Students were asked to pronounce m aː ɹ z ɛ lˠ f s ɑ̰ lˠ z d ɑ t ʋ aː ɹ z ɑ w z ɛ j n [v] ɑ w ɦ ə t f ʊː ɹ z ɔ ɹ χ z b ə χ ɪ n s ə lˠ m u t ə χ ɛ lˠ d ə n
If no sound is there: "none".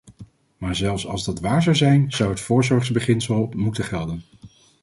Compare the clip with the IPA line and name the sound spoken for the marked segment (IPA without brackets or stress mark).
z